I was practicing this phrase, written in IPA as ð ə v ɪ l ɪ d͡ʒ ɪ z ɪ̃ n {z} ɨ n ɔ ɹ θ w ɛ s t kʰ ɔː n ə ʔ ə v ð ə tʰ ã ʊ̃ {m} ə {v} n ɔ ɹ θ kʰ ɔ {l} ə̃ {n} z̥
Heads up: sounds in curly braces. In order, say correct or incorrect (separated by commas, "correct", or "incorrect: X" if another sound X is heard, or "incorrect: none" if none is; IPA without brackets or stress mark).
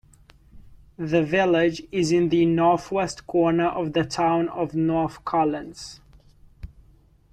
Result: incorrect: ð, incorrect: n, correct, correct, correct